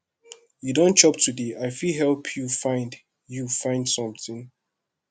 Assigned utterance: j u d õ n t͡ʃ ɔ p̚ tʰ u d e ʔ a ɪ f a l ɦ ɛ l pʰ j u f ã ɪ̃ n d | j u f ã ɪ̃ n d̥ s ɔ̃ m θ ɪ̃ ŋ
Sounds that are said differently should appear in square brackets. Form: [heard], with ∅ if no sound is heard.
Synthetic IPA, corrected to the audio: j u d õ n t͡ʃ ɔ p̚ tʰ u d e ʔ a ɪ f [i] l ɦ ɛ l pʰ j u f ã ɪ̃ n d | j u f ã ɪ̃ n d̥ s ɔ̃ m θ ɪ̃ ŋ